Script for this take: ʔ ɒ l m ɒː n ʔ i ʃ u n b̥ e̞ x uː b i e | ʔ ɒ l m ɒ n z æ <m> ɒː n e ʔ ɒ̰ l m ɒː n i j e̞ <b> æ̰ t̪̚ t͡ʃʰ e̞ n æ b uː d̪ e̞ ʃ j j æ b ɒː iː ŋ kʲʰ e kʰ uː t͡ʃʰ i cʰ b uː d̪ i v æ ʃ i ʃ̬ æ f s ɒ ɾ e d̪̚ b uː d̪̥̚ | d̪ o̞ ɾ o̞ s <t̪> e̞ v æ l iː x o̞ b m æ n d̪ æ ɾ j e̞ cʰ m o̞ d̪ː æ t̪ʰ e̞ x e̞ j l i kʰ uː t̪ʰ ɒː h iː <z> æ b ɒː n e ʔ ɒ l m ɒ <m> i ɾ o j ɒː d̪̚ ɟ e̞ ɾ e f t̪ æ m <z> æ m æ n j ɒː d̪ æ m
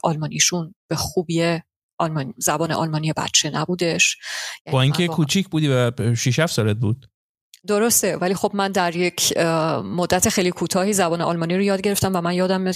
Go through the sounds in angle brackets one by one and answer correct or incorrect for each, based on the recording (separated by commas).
incorrect, correct, correct, correct, incorrect, incorrect